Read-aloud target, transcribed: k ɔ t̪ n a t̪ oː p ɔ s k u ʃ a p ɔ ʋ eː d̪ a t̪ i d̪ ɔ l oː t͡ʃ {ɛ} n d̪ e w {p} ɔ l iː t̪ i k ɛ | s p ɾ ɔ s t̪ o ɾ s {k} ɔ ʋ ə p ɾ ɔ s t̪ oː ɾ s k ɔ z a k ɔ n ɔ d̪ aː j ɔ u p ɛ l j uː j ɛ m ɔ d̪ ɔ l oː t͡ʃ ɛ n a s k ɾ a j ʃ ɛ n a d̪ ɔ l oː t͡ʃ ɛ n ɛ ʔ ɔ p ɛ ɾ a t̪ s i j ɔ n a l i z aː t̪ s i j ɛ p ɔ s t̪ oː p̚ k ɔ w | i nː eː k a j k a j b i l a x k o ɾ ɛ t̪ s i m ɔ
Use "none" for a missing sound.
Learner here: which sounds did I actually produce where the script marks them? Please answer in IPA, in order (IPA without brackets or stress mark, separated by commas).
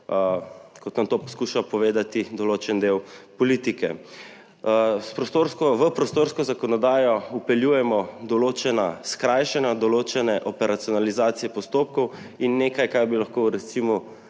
ɛ, p, k